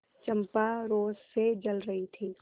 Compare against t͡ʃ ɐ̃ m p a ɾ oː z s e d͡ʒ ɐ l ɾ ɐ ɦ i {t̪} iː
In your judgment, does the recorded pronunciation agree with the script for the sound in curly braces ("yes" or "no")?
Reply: no